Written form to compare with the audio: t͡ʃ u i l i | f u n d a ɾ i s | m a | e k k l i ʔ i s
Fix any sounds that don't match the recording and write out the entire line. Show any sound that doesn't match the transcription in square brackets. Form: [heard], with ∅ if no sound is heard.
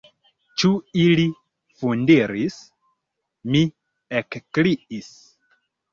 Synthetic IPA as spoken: t͡ʃ u i l i | f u n d [i] ɾ i s | m [i] | e k k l i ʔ i s

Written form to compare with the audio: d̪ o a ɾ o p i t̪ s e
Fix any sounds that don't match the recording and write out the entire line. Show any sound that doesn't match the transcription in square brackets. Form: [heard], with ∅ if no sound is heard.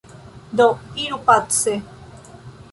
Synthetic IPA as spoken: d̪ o [i] ɾ [u] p [a] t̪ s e

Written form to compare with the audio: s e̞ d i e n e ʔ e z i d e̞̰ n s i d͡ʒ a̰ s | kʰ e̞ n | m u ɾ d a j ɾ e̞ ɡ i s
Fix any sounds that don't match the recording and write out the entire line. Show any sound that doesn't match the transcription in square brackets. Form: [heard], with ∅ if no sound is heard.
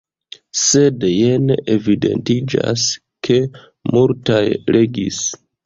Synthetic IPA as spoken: s e̞ d [j] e n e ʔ e [v] i d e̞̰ n [t] i d͡ʒ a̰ s | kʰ e̞ [∅] | m u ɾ [t] a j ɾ e̞ ɡ i s

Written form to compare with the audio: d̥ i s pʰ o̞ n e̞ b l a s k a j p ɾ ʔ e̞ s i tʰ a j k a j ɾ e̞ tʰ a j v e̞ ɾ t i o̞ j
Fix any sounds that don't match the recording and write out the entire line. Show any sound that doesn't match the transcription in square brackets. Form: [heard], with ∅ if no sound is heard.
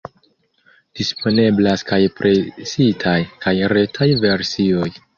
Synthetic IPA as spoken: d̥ i s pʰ o̞ n e̞ b l a s k a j p ɾ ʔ e̞ s i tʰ a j k a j ɾ e̞ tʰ a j v e̞ ɾ [s] i o̞ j

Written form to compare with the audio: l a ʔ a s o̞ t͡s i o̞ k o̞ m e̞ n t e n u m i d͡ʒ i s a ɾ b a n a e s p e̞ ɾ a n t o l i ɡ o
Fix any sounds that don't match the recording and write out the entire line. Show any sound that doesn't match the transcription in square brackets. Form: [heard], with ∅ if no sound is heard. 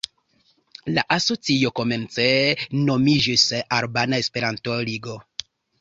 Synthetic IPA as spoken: l a ʔ a s o̞ t͡s i o̞ k o̞ m e̞ n [t͡s] e n [o] m i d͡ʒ i s a ɾ b a n a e s p e̞ ɾ a n t o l i ɡ o

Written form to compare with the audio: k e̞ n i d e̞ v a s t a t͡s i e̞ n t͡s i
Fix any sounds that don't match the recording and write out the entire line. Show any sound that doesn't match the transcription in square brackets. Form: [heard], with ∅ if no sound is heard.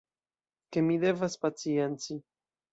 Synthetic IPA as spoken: k e̞ [m] i d e̞ v a s [p] a t͡s i e̞ n t͡s i

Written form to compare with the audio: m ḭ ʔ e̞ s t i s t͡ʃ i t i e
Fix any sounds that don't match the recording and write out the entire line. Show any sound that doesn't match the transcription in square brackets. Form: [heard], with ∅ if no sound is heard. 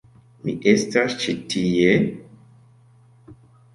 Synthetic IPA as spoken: m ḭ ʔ e̞ s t [a] s t͡ʃ i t i e

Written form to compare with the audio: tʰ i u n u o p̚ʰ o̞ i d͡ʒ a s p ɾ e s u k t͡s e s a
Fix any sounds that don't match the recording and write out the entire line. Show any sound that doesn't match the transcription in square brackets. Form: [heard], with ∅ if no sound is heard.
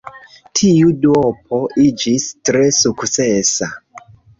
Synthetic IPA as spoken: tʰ i u [d] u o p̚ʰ o̞ i d͡ʒ [i] s [t] ɾ e s u k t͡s e s a

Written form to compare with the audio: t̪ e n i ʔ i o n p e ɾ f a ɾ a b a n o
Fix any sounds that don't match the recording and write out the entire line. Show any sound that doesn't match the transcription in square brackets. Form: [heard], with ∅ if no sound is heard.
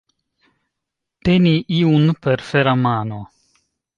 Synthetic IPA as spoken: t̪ e n i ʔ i [u] n p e ɾ f [e] ɾ a [m] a n o

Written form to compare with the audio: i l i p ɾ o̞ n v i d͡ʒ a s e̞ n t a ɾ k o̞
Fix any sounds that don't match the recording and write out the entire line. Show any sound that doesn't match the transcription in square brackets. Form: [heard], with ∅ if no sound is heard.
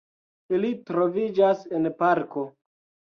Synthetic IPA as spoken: i l i [t] ɾ o̞ [∅] v i d͡ʒ a s e̞ n [p] a ɾ k o̞

